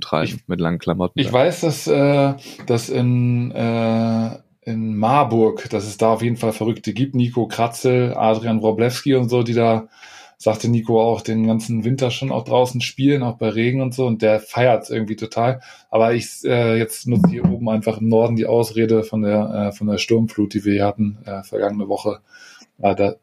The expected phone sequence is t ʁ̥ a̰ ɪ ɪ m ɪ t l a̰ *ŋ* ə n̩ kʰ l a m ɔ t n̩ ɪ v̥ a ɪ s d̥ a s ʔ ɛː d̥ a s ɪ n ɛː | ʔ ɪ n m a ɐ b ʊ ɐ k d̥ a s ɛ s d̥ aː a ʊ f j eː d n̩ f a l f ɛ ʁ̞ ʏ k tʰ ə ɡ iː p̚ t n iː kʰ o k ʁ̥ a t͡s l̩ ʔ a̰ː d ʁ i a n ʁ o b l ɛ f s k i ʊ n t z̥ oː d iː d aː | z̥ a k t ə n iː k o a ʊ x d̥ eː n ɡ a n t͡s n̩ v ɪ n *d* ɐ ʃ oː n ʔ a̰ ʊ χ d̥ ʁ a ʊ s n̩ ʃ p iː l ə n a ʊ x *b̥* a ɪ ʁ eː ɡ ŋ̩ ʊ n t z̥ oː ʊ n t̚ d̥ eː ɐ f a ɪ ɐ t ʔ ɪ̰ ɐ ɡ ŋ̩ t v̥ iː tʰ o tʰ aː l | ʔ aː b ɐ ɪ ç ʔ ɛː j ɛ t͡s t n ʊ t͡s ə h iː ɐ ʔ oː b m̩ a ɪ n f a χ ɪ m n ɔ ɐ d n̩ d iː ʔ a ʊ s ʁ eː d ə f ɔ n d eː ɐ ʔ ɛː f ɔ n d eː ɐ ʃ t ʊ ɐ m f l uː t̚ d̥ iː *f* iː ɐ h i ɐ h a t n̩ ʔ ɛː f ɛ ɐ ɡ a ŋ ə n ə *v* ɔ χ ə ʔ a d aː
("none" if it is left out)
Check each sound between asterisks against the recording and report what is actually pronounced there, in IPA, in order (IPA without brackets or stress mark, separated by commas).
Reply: ŋ, t, b̥, v, v